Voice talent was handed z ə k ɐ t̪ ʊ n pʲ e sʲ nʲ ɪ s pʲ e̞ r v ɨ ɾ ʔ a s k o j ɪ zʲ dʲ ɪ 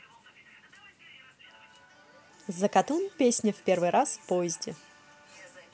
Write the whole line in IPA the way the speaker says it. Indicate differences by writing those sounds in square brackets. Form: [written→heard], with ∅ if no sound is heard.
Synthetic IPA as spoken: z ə k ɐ t̪ [ʊ→u] n pʲ e sʲ nʲ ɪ [s→f] pʲ e̞ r v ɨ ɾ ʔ a s [k→p] o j ɪ zʲ dʲ ɪ